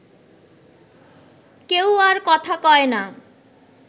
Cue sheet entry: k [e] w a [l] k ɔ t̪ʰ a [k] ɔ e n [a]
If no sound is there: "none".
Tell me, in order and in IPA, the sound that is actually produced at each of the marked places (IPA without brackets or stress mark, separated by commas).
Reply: e, ɾ, k, a